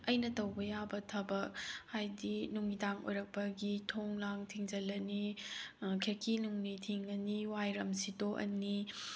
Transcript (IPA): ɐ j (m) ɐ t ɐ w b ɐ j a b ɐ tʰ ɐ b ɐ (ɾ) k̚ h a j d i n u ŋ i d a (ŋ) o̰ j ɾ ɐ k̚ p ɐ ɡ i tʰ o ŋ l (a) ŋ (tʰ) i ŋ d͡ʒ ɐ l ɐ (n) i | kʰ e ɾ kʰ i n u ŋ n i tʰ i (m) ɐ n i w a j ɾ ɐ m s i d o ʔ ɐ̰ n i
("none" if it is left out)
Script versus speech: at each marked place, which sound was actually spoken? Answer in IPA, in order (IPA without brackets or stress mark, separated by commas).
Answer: n, none, ŋ, a, tʰ, n, ŋ